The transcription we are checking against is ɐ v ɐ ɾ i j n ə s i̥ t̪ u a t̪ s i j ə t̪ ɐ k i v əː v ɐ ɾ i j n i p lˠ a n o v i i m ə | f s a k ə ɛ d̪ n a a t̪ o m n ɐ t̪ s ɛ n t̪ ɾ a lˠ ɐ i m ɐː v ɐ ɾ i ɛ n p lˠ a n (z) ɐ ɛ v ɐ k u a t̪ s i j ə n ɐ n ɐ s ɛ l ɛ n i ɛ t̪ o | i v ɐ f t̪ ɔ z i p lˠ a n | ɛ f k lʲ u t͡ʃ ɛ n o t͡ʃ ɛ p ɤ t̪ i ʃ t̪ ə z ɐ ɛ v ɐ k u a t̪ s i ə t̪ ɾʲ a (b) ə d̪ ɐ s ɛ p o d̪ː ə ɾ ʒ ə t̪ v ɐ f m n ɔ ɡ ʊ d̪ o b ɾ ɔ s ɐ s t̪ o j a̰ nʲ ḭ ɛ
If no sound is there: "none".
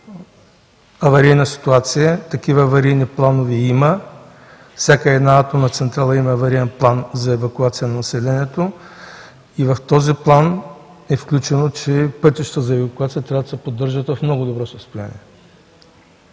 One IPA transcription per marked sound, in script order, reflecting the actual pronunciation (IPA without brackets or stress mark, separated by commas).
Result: z, v